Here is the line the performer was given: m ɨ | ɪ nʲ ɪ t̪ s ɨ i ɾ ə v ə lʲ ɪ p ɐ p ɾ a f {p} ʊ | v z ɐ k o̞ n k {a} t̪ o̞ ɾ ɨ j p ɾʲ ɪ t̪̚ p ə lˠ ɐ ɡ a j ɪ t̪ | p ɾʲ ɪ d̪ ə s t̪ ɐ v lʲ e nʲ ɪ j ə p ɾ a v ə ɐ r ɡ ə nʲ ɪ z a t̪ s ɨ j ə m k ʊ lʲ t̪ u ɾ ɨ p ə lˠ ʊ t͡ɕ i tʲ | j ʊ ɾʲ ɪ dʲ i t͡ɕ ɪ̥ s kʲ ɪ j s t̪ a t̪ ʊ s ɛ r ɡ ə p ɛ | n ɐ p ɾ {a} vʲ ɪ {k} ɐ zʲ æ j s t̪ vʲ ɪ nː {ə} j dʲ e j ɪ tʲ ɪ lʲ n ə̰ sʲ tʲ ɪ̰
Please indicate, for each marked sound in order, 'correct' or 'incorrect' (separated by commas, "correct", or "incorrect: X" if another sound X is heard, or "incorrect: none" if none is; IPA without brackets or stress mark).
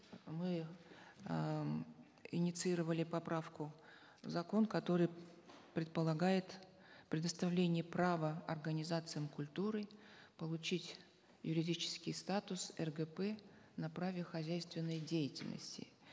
incorrect: k, incorrect: ɐ, correct, incorrect: x, correct